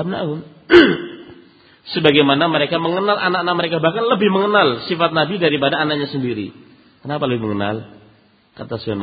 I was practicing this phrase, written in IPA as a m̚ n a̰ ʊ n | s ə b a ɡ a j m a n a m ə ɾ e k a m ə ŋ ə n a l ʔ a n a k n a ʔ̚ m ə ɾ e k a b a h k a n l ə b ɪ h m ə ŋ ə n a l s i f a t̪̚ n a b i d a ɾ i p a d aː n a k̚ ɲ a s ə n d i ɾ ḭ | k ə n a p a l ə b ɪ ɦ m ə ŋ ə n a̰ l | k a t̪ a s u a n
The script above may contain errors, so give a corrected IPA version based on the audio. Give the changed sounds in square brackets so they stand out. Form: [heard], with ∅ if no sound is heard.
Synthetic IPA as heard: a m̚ n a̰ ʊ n | s ə b a ɡ a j m a n a m ə ɾ e k a m ə ŋ ə n a l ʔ a n a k n a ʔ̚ m ə ɾ e k a b a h k a n l ə b ɪ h m ə ŋ ə n a l s i f a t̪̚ n a b i d a ɾ i p a d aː n a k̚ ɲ a s ə n d i ɾ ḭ | k ə n a p a l ə b ɪ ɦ m ə ŋ ə n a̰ l | k a t̪ a s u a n